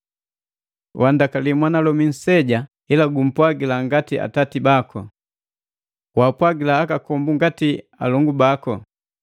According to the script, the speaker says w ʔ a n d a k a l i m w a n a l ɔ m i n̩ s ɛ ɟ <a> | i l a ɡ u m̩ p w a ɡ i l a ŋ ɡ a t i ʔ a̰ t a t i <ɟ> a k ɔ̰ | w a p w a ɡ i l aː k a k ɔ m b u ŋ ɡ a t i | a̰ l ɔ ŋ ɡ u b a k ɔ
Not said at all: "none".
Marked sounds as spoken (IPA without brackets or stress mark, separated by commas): a, b